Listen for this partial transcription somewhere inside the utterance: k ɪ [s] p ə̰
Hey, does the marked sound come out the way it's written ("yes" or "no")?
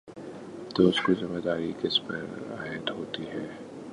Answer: yes